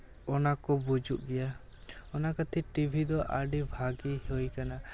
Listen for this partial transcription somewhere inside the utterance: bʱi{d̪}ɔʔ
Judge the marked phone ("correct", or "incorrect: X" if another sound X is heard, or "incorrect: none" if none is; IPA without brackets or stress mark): correct